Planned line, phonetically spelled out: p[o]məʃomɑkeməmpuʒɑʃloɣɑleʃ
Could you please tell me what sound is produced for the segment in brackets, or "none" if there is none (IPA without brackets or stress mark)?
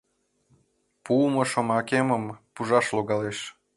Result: u